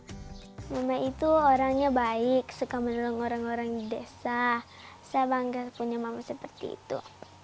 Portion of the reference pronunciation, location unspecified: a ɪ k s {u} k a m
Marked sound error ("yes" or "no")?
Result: no